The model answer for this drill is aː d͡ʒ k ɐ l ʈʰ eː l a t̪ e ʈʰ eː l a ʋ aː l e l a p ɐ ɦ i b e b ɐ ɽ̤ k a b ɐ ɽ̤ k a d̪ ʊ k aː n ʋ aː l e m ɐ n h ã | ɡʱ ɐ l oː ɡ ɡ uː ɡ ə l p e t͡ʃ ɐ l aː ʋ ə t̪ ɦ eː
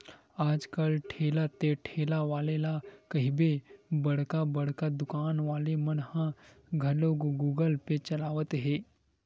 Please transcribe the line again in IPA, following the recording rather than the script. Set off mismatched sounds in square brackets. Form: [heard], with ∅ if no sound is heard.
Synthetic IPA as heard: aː d͡ʒ k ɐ l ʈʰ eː l a t̪ e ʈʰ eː l a ʋ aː l e l a [k] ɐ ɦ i b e b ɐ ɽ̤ k a b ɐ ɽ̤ k a d̪ ʊ k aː n ʋ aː l e m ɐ n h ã | ɡʱ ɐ l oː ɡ ɡ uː ɡ ə l p e t͡ʃ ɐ l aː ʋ ə t̪ ɦ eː